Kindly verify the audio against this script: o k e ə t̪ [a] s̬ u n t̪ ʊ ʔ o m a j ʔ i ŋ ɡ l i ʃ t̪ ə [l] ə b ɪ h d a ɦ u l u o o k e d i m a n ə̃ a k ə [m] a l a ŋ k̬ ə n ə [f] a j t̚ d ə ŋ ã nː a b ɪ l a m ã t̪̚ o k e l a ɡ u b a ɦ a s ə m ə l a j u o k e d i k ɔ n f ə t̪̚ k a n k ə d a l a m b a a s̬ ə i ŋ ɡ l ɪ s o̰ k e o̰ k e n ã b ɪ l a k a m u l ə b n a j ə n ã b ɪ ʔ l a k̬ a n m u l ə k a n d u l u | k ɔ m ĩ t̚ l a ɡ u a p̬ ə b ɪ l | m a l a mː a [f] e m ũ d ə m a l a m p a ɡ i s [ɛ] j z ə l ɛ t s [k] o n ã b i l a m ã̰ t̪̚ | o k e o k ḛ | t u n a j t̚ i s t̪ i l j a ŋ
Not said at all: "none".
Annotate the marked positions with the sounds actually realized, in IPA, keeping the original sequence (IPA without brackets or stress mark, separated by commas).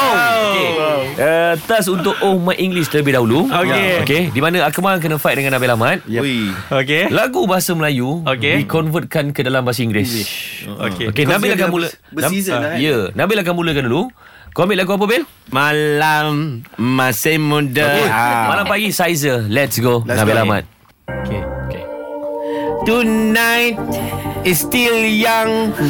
a, l, m, f, s, a, ɡ